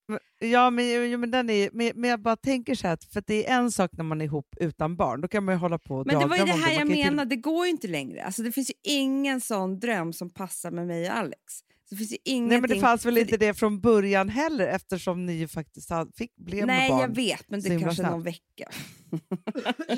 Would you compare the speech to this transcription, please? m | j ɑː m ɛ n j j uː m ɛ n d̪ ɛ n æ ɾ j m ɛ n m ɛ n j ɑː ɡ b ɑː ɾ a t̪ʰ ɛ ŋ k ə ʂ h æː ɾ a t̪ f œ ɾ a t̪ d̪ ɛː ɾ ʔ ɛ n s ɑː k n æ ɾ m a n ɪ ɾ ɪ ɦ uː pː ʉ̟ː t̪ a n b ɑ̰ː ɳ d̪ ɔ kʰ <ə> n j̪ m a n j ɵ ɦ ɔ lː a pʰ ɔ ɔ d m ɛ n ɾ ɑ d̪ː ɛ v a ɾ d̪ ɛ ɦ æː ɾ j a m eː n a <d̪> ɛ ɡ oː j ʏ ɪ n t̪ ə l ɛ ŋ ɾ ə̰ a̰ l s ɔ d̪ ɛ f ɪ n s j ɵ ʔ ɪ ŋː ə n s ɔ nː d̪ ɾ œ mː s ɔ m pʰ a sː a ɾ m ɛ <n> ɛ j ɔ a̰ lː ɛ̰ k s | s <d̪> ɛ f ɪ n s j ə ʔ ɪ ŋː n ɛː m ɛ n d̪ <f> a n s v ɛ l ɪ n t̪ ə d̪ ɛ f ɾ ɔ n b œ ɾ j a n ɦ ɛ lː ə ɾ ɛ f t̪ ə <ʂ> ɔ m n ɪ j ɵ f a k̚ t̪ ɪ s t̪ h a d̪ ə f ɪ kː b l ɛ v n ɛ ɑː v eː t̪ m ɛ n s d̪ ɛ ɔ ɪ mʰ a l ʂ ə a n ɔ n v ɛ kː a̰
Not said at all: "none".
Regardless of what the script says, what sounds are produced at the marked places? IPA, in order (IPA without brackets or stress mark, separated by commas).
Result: a, d̪, m, d̪, f, ʂ